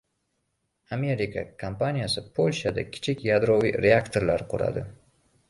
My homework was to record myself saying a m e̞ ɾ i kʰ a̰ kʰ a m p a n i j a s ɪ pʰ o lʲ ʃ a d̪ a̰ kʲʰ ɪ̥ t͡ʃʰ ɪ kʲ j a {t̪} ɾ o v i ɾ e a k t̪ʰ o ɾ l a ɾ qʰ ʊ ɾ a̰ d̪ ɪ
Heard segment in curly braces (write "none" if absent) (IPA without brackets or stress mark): d̪